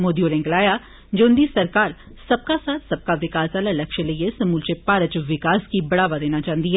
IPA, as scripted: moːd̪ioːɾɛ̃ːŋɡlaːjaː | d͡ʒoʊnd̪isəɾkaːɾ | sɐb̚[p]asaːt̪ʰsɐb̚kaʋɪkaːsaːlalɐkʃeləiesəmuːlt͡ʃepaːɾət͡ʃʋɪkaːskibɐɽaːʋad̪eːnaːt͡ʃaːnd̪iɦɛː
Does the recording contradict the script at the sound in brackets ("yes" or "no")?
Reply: yes